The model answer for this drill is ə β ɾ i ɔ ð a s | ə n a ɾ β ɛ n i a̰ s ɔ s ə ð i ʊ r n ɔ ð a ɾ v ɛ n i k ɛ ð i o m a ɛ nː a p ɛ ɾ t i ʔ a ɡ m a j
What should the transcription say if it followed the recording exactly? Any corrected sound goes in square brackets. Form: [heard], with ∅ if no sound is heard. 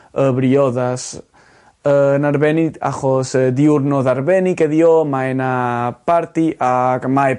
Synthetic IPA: ə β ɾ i ɔ ð a s | ə n a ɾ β ɛ n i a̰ [χ] ɔ s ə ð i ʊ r n ɔ ð a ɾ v ɛ n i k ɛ ð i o m a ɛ [n] a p [a] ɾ t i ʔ a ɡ m a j